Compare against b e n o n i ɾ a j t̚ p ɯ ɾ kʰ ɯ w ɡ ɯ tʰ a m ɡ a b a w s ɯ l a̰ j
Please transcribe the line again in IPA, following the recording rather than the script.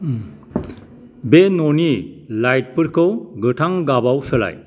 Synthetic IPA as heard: b e n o n i l a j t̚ p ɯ ɾ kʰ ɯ w ɡ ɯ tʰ a ŋ ɡ a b a w s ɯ l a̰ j